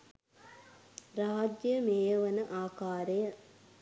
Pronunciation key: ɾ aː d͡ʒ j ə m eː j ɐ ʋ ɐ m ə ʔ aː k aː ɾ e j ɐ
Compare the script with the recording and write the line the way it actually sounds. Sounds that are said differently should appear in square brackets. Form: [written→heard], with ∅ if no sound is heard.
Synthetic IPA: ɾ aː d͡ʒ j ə m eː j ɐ ʋ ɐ [m→n] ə ʔ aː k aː ɾ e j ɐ